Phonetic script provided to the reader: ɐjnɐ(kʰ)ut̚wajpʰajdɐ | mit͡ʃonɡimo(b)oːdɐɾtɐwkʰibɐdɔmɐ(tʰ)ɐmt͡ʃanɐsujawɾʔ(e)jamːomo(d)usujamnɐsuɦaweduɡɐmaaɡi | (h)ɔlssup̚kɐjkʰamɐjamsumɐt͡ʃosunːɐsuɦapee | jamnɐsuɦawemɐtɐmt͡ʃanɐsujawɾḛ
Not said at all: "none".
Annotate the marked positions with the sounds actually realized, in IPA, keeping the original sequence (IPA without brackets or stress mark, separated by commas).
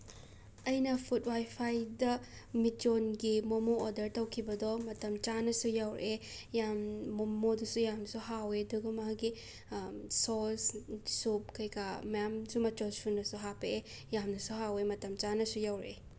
pʰ, m, t, e, d, s